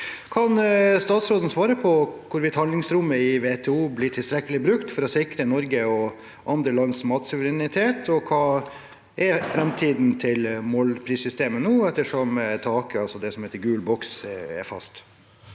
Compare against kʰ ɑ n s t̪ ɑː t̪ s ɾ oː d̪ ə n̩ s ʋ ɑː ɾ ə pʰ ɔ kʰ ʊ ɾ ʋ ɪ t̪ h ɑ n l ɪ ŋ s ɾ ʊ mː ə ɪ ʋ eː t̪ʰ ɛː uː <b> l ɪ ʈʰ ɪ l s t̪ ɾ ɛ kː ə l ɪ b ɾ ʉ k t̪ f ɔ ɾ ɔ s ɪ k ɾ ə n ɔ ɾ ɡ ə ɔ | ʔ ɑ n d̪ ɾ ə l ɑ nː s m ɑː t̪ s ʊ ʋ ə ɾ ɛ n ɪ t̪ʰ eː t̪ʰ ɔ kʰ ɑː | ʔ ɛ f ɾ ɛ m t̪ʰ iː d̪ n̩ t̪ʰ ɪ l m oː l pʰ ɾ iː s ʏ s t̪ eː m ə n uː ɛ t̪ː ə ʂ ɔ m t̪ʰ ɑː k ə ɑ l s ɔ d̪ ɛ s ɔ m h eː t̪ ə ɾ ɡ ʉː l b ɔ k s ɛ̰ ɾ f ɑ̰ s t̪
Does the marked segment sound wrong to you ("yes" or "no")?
no